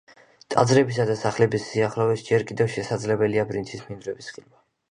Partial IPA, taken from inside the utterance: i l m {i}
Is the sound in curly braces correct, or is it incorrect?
incorrect